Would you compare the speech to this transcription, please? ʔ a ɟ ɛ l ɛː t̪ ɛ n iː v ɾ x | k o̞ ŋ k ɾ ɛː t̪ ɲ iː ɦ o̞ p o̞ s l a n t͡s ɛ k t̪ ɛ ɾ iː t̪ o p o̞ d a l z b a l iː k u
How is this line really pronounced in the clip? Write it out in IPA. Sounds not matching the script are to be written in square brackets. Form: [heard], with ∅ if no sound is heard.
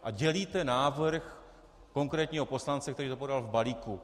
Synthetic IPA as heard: ʔ a ɟ ɛ l [iː] t̪ ɛ n [aː] v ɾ x | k o̞ ŋ k ɾ ɛː t̪ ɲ iː ɦ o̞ p o̞ s l a n t͡s ɛ k t̪ ɛ ɾ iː t̪ o p o̞ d a l [v] b a l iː k u